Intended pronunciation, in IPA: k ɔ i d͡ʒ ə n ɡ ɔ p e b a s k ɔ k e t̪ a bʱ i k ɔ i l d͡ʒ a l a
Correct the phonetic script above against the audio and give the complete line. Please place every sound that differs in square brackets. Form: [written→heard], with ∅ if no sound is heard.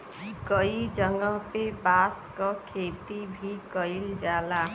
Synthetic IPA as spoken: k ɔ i d͡ʒ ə [n→ŋ] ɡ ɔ p e b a s k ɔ [k→kʰ] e t̪ [a→i] bʱ i k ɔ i l d͡ʒ a l a